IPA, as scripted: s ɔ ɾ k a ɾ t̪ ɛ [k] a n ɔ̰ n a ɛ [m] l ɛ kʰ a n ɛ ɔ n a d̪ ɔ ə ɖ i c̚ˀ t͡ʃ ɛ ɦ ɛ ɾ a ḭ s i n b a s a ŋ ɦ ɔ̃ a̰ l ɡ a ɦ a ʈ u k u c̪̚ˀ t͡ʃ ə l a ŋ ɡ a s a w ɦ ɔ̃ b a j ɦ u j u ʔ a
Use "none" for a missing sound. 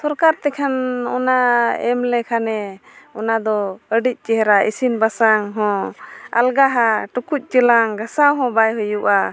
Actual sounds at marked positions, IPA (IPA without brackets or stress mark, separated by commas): kʰ, m